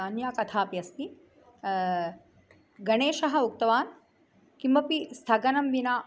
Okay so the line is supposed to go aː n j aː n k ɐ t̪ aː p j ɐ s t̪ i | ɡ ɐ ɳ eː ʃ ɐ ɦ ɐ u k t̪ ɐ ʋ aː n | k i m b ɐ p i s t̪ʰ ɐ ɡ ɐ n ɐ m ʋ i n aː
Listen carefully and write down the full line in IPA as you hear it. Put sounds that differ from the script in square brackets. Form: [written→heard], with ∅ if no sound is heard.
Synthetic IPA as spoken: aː n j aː [n→∅] k ɐ [t̪→t̪ʰ] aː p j ɐ s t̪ i | ɡ ɐ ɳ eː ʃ ɐ ɦ ɐ u k t̪ ɐ ʋ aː n | k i m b ɐ p i s t̪ʰ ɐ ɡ ɐ n ɐ m ʋ i n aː